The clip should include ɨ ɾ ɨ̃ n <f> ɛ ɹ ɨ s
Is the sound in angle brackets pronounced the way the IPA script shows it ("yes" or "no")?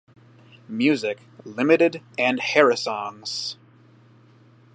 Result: no